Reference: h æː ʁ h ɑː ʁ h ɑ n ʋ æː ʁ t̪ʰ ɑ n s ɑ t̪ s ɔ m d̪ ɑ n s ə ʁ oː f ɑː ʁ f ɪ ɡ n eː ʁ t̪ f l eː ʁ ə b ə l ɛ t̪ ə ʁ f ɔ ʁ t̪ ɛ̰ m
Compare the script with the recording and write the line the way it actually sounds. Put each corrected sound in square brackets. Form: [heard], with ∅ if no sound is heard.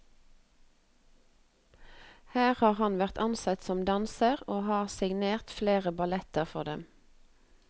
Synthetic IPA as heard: h æː ʁ h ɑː ʁ h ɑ n ʋ [æ] ʁ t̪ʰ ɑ n s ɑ t̪ s ɔ m d̪ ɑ n s ə ʁ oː [h] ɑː ʁ [s] ɪ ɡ n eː ʁ t̪ f l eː ʁ ə b [ɑ] l ɛ t̪ ə ʁ f ɔ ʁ [d̪] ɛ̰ m